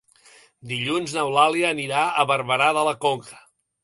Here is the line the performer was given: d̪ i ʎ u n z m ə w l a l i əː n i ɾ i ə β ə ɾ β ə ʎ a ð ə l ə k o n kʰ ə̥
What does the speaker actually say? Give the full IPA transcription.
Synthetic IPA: d̪ i ʎ u n z n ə w l a l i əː n i ɾ a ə β ə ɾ β ə ɾ a ð ə l ə k o ŋ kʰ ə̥